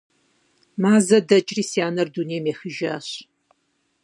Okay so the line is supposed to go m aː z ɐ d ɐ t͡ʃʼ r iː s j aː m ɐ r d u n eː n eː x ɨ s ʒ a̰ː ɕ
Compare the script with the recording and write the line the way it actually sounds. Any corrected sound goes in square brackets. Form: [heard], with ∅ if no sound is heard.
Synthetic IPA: m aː z ɐ d ɐ t͡ʃʼ r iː s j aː [n] ɐ r d u n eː [m] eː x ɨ [∅] ʒ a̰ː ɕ